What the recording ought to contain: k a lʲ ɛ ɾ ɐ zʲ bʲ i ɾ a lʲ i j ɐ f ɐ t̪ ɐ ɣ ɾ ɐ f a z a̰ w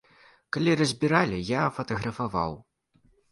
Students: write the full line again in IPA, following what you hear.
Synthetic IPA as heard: k a lʲ i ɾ ɐ zʲ bʲ i ɾ a lʲ i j a f ɐ t̪ ɐ ɣ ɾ ɐ f a v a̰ w